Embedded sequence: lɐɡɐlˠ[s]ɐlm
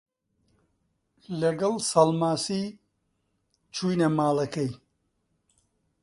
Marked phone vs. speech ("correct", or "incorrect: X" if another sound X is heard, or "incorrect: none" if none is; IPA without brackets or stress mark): correct